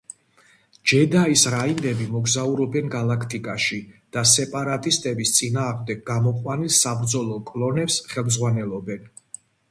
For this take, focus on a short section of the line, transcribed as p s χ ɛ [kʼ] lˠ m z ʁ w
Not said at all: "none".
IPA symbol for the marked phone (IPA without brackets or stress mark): none